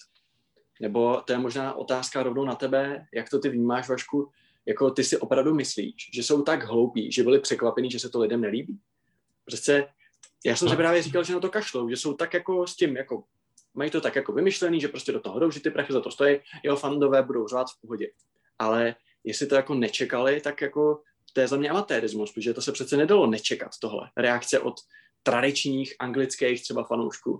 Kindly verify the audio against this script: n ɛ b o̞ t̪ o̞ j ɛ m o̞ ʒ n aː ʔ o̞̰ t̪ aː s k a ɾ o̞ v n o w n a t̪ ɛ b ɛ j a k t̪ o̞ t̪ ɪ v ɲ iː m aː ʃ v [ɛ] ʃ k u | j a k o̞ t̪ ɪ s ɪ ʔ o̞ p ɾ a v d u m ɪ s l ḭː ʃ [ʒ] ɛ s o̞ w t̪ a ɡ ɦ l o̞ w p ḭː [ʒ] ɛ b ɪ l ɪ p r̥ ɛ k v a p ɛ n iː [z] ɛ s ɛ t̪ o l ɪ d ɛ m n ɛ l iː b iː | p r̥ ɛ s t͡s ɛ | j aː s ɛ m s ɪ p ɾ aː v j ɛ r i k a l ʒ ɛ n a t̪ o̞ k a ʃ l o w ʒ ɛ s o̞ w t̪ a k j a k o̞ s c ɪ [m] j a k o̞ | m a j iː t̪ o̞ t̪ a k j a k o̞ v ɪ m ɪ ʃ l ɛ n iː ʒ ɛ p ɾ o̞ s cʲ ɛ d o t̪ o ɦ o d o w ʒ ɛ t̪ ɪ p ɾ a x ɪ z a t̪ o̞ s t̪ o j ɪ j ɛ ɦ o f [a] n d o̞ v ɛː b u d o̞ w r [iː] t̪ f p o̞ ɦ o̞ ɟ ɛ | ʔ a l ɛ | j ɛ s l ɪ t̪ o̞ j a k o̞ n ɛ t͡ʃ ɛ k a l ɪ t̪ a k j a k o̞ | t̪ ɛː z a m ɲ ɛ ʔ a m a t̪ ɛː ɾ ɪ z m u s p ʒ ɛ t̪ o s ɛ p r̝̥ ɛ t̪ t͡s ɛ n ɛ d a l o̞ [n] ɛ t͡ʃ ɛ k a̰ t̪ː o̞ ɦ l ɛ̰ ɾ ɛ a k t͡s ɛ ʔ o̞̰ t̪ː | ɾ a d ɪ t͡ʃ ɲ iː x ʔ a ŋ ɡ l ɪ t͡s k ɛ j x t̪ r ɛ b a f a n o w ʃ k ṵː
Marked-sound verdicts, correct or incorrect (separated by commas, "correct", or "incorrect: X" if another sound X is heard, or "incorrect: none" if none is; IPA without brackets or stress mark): incorrect: a, correct, correct, incorrect: ʒ, correct, correct, incorrect: aː, correct